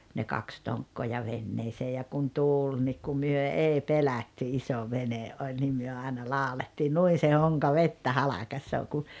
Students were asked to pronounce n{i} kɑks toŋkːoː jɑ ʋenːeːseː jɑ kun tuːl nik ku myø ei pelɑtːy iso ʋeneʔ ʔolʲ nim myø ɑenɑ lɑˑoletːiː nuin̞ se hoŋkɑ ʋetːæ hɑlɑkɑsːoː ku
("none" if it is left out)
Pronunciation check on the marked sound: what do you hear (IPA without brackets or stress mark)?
e